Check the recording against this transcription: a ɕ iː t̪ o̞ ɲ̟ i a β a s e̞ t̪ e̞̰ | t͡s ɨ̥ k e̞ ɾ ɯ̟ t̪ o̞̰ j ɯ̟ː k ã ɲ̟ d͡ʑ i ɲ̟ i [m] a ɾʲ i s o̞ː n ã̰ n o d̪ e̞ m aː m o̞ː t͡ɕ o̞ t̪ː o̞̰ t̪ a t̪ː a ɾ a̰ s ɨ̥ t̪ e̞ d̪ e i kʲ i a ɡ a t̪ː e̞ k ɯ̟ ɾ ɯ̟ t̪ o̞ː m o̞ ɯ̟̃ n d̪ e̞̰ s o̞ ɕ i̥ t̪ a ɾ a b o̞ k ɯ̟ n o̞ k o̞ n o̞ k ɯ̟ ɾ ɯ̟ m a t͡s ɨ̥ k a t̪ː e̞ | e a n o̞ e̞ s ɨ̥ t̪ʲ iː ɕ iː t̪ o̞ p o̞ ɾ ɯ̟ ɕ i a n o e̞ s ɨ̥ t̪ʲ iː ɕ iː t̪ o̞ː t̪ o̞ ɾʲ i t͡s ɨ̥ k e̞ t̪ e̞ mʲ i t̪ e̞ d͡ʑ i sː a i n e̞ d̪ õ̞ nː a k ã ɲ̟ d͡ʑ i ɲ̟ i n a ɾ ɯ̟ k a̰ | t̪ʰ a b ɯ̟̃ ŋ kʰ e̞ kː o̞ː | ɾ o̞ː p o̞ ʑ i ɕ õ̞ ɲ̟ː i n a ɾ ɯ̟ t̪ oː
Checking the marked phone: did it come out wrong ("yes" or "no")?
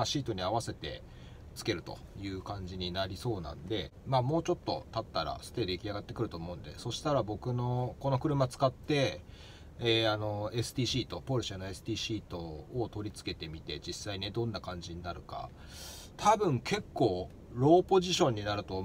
yes